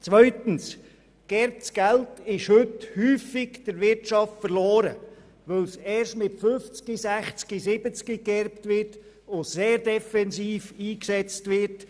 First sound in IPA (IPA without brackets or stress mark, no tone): t͡s